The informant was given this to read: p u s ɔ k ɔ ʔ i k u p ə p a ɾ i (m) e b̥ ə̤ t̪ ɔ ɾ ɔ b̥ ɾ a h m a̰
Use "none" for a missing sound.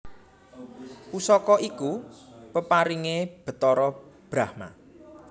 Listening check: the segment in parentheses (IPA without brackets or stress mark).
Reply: ŋ